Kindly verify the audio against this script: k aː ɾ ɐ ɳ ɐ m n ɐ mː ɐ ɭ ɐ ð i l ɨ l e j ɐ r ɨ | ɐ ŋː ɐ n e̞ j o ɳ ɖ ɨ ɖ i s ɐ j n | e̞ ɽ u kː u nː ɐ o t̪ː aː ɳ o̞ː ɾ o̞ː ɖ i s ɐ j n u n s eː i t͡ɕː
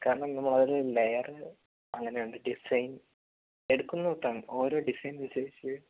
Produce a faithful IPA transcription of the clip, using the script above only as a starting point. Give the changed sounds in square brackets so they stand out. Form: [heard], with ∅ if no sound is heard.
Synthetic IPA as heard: k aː ɾ ɐ ɳ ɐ m n ɐ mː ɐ ɭ ɐ ð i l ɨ l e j ɐ r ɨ | ɐ ŋː ɐ n e̞ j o ɳ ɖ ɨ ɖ i s ɐ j n | e̞ ɽ u kː u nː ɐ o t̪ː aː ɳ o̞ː ɾ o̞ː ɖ i s ɐ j n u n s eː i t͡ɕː

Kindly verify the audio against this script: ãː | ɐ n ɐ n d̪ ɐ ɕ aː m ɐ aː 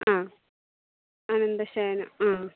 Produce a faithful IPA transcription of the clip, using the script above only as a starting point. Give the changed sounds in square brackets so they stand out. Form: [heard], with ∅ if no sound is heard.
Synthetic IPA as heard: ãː | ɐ n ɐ n d̪ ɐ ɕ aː [n] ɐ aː

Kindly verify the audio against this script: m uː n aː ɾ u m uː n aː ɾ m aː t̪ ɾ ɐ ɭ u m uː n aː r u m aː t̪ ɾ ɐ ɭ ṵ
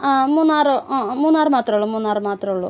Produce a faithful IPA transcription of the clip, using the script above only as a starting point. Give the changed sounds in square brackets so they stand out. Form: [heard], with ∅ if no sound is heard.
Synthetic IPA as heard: m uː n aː ɾ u m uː n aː ɾ m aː t̪ ɾ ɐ ɭ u m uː n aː [ɾ] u m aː t̪ ɾ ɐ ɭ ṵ

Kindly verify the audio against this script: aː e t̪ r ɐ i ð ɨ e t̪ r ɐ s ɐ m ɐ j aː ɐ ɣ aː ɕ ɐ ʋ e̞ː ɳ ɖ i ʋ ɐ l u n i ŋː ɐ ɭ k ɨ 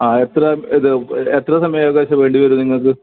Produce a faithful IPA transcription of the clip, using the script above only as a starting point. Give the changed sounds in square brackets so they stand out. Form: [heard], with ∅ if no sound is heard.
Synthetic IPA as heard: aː e t̪ r ɐ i ð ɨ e t̪ r ɐ s ɐ m ɐ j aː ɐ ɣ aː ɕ ɐ ʋ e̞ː ɳ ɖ i ʋ ɐ [ɾ] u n i ŋː ɐ ɭ k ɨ

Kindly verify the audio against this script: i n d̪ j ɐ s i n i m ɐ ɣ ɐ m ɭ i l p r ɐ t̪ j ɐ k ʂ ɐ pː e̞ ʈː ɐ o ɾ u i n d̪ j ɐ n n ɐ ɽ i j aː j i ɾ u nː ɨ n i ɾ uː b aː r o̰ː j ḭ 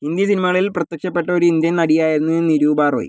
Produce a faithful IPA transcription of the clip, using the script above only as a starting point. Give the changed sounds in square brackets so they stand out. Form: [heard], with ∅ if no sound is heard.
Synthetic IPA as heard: i n d̪ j ɐ s i n i m ɐ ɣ ɐ [∅] ɭ i l p r ɐ t̪ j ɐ k ʂ ɐ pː e̞ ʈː ɐ o ɾ u i n d̪ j ɐ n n ɐ ɽ i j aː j i ɾ u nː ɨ n i ɾ uː b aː r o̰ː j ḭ

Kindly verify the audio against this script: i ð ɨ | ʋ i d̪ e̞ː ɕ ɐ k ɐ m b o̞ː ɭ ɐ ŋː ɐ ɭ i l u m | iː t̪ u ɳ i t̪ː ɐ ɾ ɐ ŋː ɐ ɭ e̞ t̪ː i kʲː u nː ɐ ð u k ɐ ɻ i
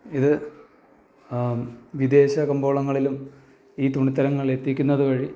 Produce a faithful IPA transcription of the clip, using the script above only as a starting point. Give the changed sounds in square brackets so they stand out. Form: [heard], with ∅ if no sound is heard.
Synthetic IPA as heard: i ð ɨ | ʋ i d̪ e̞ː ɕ ɐ k ɐ m b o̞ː ɭ ɐ ŋː ɐ ɭ i l u m | iː t̪ u ɳ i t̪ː ɐ ɾ ɐ ŋː ɐ ɭ e̞ t̪ː i kʲː u nː ɐ ð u k ɐ ɻ i

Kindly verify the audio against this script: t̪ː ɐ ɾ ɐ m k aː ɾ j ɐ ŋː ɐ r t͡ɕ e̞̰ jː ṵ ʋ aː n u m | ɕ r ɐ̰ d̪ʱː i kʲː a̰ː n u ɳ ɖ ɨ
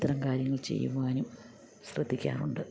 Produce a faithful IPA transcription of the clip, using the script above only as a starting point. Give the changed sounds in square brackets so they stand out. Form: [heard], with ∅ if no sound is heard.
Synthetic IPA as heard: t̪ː ɐ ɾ ɐ m k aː ɾ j ɐ ŋː ɐ [ɭ] t͡ɕ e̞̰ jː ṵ ʋ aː n u m | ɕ r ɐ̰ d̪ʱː i kʲː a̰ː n u ɳ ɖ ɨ

